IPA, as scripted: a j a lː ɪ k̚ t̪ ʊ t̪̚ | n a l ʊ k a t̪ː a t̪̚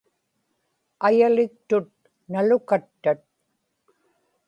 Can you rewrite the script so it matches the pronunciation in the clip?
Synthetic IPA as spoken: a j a l ɪ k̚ t̪ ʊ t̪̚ | n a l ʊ k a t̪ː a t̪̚